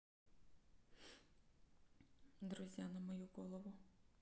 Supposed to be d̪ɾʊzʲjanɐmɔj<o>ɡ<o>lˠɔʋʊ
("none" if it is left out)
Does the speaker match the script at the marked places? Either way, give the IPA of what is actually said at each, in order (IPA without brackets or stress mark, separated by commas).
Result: u, ɔ